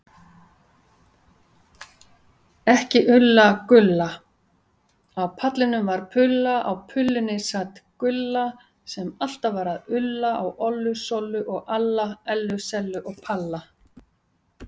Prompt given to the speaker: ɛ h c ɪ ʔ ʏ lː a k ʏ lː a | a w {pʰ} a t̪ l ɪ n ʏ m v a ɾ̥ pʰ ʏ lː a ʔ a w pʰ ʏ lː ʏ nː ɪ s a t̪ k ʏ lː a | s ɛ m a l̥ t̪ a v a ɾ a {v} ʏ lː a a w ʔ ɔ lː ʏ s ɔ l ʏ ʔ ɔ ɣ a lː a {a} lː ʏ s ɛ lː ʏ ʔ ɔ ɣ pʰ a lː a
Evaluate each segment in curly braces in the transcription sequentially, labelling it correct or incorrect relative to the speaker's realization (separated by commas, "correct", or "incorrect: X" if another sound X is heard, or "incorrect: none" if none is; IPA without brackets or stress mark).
correct, incorrect: ð, incorrect: ɛ